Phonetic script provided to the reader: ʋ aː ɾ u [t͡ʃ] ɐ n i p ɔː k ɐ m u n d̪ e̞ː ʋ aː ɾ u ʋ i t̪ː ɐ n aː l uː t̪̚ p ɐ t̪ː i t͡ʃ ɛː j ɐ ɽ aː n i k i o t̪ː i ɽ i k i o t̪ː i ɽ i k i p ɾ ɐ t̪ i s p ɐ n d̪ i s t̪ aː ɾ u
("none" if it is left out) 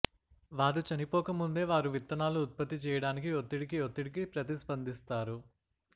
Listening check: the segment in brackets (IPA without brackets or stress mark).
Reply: t͡ʃ